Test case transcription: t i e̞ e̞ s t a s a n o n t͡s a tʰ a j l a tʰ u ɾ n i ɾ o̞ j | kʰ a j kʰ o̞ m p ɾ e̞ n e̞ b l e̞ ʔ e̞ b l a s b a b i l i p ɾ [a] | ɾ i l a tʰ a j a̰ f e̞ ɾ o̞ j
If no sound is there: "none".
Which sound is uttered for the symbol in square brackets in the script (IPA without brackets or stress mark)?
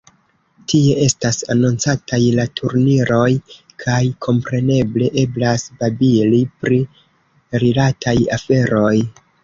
i